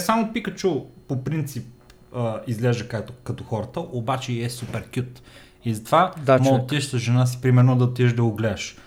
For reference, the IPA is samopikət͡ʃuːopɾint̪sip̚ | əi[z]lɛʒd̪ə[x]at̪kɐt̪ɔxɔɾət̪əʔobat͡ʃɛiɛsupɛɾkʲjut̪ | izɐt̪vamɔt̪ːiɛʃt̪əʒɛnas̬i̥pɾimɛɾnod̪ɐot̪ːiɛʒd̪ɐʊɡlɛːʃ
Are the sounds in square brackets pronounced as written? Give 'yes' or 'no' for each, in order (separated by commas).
yes, no